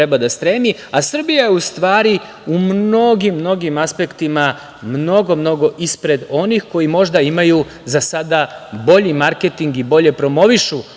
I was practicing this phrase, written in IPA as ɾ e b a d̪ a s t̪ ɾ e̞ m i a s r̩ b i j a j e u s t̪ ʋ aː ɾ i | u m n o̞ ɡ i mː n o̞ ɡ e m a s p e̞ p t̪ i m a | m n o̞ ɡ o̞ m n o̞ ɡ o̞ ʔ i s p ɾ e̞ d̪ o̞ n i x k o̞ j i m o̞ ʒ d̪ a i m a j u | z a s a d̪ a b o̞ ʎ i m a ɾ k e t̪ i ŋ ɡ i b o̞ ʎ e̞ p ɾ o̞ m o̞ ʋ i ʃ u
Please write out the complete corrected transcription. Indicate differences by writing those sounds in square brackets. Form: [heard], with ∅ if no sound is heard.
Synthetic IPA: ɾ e b a d̪ a s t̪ ɾ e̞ m i a s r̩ b i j a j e u s t̪ ʋ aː ɾ i | u m n o̞ ɡ i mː n o̞ ɡ [i] m a s p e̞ [k] t̪ i m a | m n o̞ ɡ o̞ m n o̞ ɡ o̞ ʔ i s p ɾ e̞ d̪ o̞ n i x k o̞ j i m o̞ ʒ d̪ a i m a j u | z a s a d̪ a b o̞ ʎ i m a ɾ k e t̪ i ŋ ɡ i b o̞ ʎ e̞ p ɾ o̞ m o̞ ʋ i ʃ u

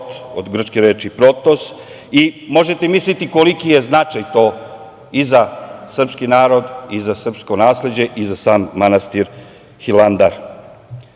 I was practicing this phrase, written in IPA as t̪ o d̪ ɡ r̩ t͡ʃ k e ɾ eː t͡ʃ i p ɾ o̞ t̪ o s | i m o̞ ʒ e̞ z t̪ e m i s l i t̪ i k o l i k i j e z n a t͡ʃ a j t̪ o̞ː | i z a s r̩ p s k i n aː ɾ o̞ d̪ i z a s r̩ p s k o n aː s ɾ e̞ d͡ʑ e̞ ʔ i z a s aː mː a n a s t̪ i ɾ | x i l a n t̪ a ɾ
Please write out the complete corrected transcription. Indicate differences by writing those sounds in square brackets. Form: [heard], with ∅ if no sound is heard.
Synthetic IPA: t̪ o d̪ ɡ r̩ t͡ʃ k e ɾ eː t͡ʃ i p ɾ o̞ t̪ o s | i m o̞ ʒ e̞ [∅] t̪ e m i s l i t̪ i k o l i k i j e z n a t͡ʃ a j t̪ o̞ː | i z a s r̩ p s k i n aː ɾ o̞ d̪ i z a s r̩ p s k o n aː s [l] e̞ d͡ʑ e̞ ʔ i z a s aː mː a n a s t̪ i ɾ | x i l a n [d̪] a ɾ

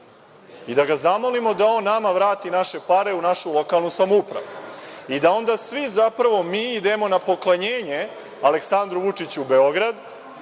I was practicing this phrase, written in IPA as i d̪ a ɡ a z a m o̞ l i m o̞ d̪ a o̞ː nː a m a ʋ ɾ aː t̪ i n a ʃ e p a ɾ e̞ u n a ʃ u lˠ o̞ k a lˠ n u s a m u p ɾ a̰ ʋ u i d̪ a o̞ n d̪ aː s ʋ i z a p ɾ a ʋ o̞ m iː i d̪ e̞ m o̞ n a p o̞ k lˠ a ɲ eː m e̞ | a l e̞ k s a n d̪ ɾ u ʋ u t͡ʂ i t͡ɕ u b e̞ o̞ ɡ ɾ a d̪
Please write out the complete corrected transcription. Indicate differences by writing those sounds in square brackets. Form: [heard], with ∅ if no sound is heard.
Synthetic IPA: i d̪ a ɡ a z a m o̞ l i m o̞ d̪ a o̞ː nː a m a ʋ ɾ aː t̪ i n a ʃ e p a ɾ e̞ u n a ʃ u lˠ o̞ k a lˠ n u s a m u p ɾ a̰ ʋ u i d̪ a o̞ n d̪ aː s ʋ i z a p ɾ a ʋ o̞ m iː i d̪ e̞ m o̞ n a p o̞ k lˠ a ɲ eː [ɲ] e̞ | a l e̞ k s a n d̪ ɾ u ʋ u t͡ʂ i t͡ɕ u b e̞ o̞ ɡ ɾ a d̪

